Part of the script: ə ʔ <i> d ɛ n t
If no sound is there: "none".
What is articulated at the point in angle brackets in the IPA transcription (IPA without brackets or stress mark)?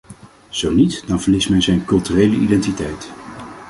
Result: i